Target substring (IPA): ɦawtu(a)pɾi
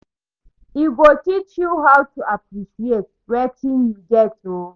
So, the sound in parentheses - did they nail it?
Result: yes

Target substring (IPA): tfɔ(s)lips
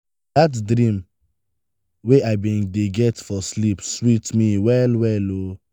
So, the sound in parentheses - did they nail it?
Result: yes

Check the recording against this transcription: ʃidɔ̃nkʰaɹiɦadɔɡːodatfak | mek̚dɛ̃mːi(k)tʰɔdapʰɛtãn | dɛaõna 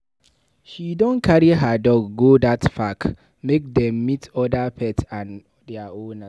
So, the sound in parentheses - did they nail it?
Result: no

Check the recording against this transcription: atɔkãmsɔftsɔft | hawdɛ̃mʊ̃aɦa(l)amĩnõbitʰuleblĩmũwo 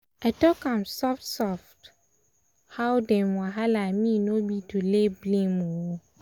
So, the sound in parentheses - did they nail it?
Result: yes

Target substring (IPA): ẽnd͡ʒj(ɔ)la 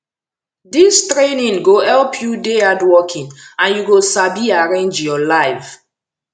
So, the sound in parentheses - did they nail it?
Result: yes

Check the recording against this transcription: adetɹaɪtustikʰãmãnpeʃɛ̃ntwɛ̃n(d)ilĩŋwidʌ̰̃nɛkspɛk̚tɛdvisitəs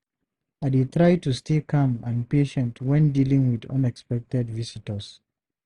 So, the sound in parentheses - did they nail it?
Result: yes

